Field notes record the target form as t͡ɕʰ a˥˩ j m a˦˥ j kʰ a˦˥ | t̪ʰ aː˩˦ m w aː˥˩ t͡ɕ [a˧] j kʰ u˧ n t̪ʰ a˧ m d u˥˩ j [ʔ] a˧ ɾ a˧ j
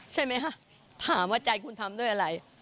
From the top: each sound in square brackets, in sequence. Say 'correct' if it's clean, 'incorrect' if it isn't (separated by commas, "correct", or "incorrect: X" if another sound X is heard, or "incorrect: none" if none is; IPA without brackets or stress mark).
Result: correct, correct